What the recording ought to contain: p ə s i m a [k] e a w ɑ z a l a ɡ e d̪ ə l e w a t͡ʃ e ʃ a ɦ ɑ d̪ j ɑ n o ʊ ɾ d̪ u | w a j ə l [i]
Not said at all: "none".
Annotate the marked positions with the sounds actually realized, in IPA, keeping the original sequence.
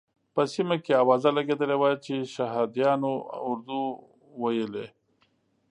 k, e

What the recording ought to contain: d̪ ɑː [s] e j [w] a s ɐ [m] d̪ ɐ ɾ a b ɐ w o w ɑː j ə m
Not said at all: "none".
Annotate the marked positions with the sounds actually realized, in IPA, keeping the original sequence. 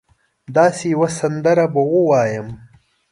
s, w, n

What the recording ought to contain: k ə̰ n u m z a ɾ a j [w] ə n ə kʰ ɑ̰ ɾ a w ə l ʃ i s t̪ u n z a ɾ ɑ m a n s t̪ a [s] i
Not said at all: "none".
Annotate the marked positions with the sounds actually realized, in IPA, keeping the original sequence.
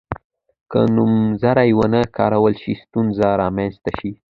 w, ʃ

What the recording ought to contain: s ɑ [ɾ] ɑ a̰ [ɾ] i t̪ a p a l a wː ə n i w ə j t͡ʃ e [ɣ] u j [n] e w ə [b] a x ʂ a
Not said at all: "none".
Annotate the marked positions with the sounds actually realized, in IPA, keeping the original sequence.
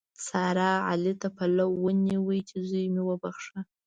ɾ, l, z, m, b

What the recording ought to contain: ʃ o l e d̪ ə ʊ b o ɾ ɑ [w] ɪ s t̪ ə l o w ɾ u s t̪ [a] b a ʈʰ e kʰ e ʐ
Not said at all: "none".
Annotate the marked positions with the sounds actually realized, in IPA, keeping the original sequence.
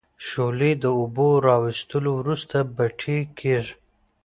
w, a

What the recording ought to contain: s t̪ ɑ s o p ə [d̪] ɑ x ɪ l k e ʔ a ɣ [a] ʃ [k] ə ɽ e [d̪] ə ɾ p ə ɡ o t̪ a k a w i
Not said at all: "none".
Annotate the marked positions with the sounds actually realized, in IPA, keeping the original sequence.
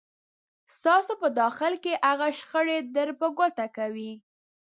d̪, a, x, d̪

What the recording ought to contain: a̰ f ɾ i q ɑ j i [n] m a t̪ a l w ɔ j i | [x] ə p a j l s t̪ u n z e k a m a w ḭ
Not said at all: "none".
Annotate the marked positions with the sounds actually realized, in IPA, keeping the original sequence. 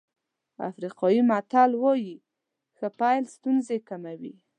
none, x

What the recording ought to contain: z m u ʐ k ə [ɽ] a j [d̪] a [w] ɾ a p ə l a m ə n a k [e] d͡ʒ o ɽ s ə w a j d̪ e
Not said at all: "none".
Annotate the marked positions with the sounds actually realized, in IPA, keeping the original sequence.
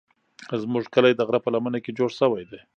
l, d̪, ɣ, e

